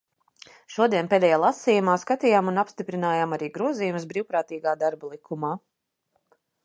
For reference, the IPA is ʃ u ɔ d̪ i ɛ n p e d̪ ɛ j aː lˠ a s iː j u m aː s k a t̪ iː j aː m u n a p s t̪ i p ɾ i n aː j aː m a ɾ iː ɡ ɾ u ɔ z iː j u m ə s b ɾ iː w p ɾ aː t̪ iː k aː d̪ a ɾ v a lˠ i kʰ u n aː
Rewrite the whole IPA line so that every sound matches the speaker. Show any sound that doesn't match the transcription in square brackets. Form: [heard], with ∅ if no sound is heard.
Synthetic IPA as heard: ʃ u ɔ d̪ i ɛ n p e d̪ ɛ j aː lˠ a s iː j u m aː s k a t̪ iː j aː m u n a p s t̪ i p ɾ i n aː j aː m a ɾ iː ɡ ɾ u ɔ z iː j u m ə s b ɾ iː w p ɾ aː t̪ iː [ɡ] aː d̪ a ɾ [b] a lˠ i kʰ u [m] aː